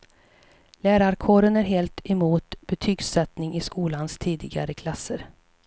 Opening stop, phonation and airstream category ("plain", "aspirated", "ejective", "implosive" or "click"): aspirated